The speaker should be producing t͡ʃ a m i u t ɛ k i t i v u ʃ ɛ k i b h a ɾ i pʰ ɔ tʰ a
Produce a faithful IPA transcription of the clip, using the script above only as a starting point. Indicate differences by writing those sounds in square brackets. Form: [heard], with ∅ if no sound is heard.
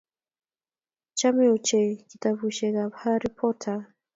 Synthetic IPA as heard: t͡ʃ a m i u [t͡ʃ] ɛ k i t [a] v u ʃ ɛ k [a] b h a ɾ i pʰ ɔ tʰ a